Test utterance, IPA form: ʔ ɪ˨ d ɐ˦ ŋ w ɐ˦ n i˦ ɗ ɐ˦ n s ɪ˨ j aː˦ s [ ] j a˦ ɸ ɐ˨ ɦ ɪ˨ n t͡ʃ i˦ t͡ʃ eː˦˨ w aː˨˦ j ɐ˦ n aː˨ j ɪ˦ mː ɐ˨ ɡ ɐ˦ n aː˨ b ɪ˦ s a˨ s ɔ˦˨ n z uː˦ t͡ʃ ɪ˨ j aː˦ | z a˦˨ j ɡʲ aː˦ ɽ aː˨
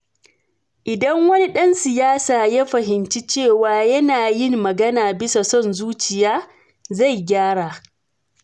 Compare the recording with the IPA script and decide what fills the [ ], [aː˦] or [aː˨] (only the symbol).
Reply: aː˨